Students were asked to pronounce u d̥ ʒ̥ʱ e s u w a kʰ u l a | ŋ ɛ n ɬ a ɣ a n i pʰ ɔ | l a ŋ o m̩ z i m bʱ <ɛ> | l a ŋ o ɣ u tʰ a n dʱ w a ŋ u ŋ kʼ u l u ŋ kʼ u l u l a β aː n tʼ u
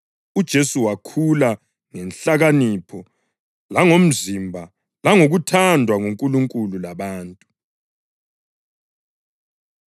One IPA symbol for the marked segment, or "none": a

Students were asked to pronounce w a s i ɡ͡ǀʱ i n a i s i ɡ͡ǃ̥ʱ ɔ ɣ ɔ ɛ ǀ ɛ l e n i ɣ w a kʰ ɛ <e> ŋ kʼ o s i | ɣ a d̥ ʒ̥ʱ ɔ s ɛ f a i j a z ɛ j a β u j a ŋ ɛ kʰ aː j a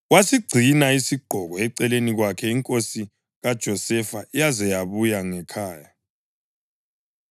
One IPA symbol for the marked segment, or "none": i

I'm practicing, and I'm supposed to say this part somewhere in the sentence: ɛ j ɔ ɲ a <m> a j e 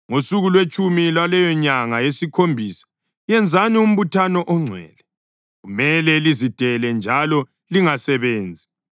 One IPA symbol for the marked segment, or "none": ŋ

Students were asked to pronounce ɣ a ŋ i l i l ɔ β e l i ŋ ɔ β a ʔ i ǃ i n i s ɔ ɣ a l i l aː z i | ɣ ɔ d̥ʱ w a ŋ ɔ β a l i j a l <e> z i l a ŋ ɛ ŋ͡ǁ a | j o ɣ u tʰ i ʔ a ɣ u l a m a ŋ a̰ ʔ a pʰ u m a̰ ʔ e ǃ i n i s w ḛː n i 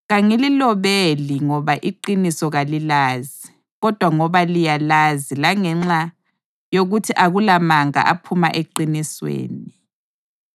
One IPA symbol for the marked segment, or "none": a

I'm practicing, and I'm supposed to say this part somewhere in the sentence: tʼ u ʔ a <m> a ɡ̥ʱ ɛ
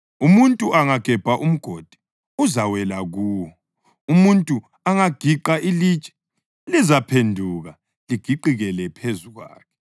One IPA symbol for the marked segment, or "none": ŋ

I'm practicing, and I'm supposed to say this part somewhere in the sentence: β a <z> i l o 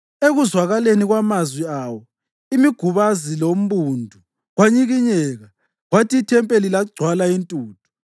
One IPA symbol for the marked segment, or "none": z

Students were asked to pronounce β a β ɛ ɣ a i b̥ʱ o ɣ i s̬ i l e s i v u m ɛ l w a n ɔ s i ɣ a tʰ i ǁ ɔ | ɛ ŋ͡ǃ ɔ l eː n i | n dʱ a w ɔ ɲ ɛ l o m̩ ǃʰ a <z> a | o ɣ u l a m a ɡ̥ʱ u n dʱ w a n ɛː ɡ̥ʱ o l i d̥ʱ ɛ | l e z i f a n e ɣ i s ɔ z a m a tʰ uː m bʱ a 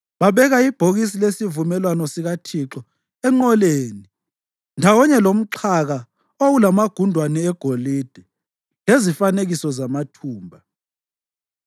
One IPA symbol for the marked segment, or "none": ɣ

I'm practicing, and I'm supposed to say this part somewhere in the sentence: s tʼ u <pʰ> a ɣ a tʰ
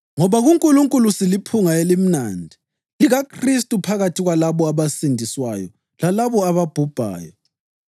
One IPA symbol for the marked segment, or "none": pʰ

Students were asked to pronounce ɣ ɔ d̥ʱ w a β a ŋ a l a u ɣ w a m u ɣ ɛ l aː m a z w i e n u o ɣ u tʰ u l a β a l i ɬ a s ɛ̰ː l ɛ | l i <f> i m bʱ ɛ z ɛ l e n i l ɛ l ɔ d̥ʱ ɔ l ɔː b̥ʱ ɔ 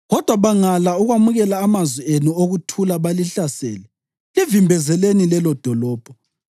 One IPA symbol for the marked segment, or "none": v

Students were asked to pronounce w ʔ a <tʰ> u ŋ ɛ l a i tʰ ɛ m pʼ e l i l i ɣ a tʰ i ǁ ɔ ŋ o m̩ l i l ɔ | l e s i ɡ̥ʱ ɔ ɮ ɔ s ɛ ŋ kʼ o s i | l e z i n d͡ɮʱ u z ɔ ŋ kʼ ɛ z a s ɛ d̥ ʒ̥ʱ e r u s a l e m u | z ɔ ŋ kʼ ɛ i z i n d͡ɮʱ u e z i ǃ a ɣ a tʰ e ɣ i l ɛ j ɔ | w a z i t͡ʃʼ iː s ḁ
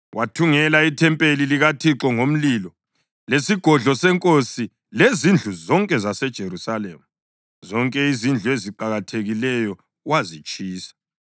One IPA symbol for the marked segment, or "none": tʰ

